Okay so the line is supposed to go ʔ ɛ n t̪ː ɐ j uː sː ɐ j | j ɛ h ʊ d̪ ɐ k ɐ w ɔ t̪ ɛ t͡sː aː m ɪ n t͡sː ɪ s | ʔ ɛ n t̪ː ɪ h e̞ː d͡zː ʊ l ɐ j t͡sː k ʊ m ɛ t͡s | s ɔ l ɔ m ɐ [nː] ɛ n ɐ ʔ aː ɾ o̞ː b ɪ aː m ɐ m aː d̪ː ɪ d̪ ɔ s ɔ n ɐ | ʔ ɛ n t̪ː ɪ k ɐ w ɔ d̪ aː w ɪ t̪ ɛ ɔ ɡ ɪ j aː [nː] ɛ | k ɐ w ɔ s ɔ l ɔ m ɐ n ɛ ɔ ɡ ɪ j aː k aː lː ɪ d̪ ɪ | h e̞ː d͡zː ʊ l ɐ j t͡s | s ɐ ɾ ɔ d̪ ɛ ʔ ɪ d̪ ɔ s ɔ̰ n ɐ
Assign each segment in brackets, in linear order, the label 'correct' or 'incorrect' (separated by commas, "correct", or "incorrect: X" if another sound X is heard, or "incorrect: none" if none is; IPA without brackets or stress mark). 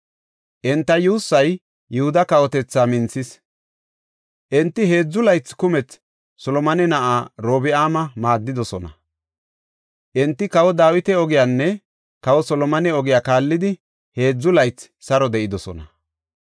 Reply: incorrect: n, correct